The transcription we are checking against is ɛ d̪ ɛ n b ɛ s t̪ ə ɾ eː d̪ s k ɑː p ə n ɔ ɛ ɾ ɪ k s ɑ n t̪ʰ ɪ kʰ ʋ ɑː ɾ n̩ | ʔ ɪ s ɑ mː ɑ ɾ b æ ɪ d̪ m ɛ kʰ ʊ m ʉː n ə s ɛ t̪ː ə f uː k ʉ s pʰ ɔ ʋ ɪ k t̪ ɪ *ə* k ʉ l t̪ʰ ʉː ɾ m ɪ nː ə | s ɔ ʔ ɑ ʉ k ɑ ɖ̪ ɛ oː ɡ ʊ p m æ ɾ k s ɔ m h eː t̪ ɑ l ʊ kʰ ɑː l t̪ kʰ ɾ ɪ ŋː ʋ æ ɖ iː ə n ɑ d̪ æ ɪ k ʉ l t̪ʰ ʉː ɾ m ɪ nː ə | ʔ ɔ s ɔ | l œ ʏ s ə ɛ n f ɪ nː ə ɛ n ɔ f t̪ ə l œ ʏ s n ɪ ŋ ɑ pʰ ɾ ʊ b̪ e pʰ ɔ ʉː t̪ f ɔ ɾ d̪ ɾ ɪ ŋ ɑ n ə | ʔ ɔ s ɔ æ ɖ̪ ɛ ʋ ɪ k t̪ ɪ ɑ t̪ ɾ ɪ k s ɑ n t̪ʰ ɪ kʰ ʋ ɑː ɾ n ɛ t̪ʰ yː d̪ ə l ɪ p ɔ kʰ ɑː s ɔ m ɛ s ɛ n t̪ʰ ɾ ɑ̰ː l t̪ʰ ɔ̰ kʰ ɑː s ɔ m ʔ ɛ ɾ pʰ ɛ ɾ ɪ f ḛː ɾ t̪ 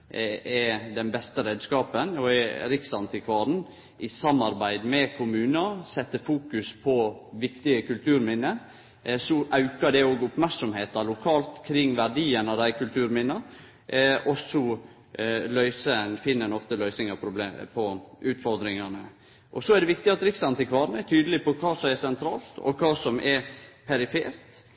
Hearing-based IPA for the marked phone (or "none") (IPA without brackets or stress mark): ə